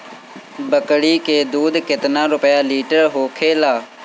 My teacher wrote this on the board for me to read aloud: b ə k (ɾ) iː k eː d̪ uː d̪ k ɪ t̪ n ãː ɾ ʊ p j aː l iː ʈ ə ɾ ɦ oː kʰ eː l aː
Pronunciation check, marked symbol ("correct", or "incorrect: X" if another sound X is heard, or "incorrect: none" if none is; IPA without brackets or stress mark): incorrect: ɽ